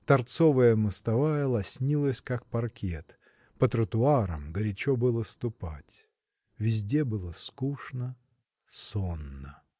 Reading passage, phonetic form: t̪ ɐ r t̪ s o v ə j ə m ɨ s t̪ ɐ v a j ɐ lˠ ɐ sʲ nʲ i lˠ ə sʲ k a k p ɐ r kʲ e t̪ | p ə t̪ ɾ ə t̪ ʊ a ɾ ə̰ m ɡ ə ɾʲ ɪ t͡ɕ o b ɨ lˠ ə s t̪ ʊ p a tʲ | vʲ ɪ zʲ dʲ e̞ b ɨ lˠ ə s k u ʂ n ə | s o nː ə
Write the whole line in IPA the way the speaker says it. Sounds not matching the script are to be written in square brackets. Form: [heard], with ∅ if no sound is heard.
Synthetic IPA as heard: t̪ ɐ r t̪ s o v ə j ə m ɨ s t̪ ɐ v a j [ə] lˠ ɐ sʲ nʲ i lˠ ə sʲ k a k p ɐ r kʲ e t̪ | p ə t̪ ɾ ə t̪ ʊ a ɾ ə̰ m ɡ ə ɾʲ ɪ t͡ɕ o b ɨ lˠ ə s t̪ ʊ p a tʲ | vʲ ɪ zʲ dʲ e̞ b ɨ lˠ ə s k u ʂ n ə | s o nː ə